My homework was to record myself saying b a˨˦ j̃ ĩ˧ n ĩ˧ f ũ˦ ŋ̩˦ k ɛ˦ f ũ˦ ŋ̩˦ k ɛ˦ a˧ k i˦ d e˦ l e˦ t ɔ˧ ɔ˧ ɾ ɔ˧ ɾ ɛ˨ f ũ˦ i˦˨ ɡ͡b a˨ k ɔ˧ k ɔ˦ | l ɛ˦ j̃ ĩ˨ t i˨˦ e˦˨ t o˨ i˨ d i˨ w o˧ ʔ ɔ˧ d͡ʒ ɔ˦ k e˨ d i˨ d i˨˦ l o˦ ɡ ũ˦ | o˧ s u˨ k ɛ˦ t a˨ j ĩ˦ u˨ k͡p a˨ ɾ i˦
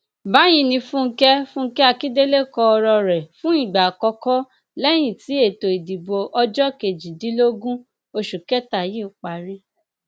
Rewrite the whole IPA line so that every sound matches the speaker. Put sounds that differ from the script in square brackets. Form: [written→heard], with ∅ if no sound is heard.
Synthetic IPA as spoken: b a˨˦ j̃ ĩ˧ n ĩ˧ f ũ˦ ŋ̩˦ k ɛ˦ f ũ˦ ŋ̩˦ k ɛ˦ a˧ k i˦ d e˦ l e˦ [t→k] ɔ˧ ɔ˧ ɾ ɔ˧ ɾ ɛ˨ f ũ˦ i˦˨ ɡ͡b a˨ k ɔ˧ k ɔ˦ | l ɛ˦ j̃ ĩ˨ t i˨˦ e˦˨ t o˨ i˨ d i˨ [w→b] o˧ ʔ ɔ˧ d͡ʒ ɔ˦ k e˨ [d→d͡ʒ] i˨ d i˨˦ l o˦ ɡ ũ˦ | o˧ [s→ʃ] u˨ k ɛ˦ t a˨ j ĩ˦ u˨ k͡p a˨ ɾ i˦